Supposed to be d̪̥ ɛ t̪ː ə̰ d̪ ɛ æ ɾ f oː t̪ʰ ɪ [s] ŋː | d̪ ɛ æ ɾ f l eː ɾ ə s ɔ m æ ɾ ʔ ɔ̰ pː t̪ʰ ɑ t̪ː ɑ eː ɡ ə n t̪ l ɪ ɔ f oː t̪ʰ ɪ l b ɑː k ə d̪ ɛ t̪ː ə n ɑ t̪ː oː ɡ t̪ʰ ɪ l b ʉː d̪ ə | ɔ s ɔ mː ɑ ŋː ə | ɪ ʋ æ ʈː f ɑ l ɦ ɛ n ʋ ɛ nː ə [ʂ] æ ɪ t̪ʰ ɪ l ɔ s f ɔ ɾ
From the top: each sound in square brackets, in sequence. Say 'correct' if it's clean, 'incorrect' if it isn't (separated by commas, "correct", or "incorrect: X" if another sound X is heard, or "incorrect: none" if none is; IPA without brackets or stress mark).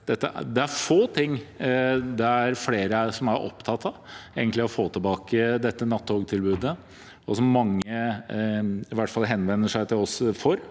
incorrect: none, correct